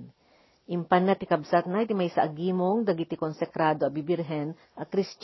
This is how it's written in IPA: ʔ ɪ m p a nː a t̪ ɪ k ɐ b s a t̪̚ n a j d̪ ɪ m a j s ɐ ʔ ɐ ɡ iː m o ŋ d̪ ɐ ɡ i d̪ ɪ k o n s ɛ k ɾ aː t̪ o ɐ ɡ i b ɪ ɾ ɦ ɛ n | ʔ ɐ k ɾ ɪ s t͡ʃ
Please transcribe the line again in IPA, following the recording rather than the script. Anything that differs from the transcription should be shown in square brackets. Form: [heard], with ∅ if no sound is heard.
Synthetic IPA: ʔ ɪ m p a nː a t̪ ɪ k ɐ b s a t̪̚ n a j [t̪] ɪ m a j s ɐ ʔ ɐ ɡ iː m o ŋ d̪ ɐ ɡ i [t̪] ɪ k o n s ɛ k ɾ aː [d̪] o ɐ [b] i b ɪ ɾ ɦ ɛ n | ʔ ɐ k ɾ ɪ s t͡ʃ